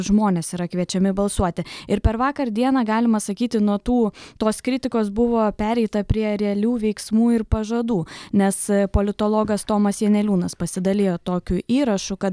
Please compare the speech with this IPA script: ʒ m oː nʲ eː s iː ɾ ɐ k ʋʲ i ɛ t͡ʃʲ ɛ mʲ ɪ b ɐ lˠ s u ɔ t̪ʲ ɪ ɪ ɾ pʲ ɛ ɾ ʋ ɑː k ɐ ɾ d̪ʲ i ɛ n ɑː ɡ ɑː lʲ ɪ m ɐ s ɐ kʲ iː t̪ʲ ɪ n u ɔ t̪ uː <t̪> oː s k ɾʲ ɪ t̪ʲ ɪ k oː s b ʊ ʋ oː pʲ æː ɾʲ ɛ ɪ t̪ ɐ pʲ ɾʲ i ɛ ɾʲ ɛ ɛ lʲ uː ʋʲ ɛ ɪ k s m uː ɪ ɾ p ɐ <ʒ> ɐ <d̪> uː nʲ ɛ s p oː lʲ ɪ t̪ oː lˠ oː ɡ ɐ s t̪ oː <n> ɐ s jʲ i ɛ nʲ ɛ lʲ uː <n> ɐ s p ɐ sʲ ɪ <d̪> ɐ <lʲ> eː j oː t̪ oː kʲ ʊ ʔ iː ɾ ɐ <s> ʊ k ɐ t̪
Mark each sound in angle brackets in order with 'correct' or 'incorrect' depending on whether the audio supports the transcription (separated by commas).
correct, correct, correct, incorrect, correct, correct, correct, incorrect